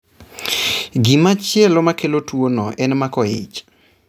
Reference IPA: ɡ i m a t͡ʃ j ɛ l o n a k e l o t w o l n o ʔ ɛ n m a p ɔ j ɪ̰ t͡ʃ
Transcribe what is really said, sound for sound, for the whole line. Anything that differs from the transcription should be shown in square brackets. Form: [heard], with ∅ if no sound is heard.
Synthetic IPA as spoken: ɡ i m a t͡ʃ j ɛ l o [m] a k e l o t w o [∅] n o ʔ ɛ n m a [k] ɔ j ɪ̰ t͡ʃ

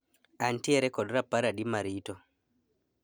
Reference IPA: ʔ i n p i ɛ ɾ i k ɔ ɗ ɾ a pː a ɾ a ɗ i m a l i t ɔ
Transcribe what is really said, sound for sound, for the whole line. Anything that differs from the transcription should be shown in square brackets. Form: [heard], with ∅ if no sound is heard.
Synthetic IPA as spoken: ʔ [a] n [t] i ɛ ɾ [ɛ] k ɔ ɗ ɾ a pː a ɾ a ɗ i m a [ɾ] i t ɔ

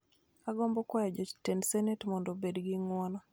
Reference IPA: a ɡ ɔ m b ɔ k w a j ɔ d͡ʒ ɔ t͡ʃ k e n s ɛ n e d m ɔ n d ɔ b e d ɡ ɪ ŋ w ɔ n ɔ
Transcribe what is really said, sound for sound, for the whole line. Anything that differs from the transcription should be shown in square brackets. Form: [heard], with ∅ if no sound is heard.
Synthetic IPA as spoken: a ɡ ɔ m b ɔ k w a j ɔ d͡ʒ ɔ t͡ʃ [t] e n s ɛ n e [t] m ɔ n d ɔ b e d ɡ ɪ ŋ w ɔ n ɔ

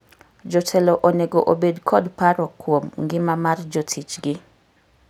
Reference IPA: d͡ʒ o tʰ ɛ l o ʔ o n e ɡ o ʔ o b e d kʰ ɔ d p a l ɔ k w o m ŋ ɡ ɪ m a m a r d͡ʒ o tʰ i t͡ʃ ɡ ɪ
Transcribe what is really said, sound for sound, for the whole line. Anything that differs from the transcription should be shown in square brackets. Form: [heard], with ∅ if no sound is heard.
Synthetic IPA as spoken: d͡ʒ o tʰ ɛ l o ʔ o n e ɡ o ʔ o b e d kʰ ɔ d p a [ɾ] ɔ k w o m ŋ ɡ ɪ m a m a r d͡ʒ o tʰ i t͡ʃ ɡ ɪ

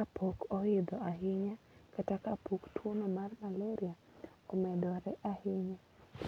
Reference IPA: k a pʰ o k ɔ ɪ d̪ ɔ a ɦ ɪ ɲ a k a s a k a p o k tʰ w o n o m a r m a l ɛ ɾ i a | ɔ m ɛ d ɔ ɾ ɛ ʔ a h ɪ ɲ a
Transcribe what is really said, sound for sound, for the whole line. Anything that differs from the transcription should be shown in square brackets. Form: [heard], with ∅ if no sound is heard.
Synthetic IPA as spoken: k a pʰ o k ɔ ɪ d̪ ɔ a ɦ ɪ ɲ a k a [t] a k a p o k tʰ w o n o m a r m a l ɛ ɾ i a | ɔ m ɛ d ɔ ɾ ɛ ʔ a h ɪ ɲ a

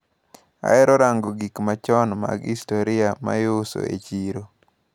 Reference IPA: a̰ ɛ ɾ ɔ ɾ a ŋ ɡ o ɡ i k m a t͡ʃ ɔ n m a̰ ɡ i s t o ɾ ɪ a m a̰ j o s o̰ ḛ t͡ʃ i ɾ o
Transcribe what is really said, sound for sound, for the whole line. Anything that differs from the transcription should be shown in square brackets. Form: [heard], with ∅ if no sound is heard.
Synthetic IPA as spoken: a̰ ɛ ɾ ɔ ɾ a ŋ ɡ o ɡ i k m a t͡ʃ ɔ n m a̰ ɡ i s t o ɾ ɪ a m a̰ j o s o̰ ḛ t͡ʃ i ɾ o

